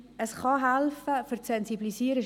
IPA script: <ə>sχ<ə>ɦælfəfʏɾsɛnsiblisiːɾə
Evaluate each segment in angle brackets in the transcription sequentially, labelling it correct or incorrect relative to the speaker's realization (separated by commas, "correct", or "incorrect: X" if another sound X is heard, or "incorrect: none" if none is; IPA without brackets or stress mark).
correct, incorrect: ɑ